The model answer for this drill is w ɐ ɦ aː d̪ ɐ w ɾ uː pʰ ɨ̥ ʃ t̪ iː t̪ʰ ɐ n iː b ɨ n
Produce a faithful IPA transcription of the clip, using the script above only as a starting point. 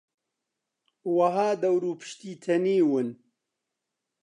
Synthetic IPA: w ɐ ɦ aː d̪ ɐ w ɾ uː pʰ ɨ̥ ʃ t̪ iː t̪ʰ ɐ n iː w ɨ n

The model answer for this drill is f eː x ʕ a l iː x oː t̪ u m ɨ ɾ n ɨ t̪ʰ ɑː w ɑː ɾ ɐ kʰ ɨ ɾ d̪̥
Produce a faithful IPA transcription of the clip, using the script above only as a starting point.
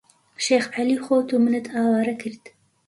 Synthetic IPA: ʃ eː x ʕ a l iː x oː t̪ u m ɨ n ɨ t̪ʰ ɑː w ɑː ɾ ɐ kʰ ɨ ɾ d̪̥

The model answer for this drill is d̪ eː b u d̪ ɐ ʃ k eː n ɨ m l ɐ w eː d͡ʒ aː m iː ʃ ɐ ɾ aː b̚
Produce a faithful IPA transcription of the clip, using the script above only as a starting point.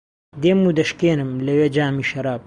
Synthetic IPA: d̪ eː m u d̪ ɐ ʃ k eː n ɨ m l ɐ w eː d͡ʒ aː m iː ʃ ɐ ɾ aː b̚

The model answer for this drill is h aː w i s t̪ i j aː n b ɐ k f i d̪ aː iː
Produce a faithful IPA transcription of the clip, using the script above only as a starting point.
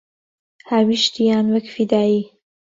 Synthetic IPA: h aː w i ʃ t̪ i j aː n w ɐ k f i d̪ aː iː

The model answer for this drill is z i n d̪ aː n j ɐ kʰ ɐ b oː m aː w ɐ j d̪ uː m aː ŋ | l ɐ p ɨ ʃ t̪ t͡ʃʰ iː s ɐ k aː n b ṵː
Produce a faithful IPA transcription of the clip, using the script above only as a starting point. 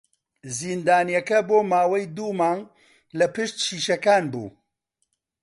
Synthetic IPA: z i n d̪ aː n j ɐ k ɐ b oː m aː w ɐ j d̪ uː m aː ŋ | l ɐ p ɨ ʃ t̪ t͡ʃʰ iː ʃ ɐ k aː n b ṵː

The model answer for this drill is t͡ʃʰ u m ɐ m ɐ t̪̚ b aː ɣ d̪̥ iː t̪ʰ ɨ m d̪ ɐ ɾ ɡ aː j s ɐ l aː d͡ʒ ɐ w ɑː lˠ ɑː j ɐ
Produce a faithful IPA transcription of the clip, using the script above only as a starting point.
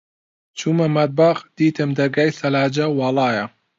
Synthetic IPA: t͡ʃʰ u m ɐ m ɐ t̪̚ b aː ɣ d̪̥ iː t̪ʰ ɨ m d̪ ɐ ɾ ɡ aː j s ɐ l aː d͡ʒ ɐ w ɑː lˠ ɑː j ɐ

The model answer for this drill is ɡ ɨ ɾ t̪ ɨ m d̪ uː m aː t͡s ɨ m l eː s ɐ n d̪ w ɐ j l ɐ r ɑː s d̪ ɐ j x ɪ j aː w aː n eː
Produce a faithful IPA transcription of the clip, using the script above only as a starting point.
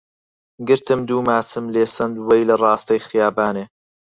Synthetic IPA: ɡ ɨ ɾ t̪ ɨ m d̪ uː m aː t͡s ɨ m l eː s ɐ n d̪ w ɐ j l ɐ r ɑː s t̪ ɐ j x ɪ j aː b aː n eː

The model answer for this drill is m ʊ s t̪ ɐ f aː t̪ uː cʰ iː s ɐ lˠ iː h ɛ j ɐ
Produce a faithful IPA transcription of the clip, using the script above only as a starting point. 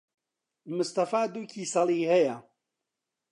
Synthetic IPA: m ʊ s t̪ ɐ f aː d̪ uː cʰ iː s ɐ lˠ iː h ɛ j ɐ

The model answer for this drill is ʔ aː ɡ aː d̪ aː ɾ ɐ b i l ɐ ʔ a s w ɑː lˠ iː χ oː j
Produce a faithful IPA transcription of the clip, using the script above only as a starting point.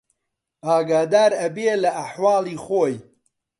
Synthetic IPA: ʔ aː ɡ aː d̪ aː ɾ ɐ b e l ɐ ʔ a ħ w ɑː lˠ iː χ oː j

